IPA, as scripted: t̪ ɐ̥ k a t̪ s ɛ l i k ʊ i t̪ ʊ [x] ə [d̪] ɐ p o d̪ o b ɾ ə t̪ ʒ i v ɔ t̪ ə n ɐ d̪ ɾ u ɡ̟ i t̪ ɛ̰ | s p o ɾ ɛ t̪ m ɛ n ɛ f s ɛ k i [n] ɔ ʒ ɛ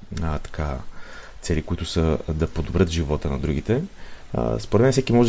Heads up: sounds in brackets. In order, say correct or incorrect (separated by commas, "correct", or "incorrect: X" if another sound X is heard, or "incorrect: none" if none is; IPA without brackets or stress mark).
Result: incorrect: s, correct, incorrect: m